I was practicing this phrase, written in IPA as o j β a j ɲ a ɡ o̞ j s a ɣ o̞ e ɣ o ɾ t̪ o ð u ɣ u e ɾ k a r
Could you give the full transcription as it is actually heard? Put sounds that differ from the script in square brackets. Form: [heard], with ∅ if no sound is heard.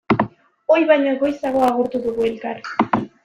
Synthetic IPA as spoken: o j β a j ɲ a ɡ o̞ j s a ɣ o̞ [a] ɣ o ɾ t̪ [u] ð u ɣ u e [l] k a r